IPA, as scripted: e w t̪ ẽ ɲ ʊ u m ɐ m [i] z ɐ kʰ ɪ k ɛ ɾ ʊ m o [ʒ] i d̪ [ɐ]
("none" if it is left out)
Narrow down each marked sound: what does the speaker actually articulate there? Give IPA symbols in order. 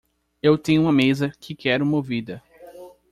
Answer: e, v, ɐ

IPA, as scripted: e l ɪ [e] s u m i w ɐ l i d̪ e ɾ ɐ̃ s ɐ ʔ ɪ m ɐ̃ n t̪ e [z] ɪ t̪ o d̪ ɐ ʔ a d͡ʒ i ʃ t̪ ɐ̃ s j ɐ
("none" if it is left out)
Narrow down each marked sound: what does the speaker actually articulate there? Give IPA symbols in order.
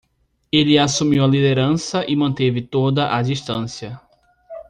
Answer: a, v

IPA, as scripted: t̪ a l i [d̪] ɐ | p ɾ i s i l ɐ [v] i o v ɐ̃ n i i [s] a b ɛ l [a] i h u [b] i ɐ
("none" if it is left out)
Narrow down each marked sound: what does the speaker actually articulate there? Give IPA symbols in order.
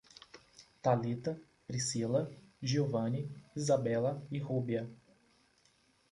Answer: t̪, ʒ, z, ɐ, b

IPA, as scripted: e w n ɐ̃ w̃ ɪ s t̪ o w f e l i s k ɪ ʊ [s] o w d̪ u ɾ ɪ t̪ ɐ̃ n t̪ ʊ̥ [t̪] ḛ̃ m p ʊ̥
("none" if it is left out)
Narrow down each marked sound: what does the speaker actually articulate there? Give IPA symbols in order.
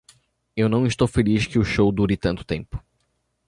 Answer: ʃ, t̪

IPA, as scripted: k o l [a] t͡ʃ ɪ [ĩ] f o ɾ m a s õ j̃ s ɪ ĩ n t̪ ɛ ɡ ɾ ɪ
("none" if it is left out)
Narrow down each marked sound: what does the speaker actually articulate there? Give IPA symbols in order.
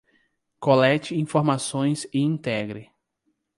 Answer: ɛ, ĩ

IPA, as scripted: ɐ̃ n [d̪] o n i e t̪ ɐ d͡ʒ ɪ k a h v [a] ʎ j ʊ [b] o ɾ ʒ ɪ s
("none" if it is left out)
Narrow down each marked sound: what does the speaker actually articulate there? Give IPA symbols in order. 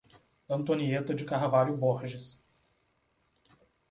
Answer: t̪, a, b

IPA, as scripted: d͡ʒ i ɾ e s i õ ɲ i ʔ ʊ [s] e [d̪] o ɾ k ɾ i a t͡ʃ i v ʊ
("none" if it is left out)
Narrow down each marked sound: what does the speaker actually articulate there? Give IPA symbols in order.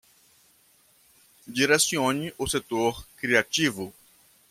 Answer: s, t̪

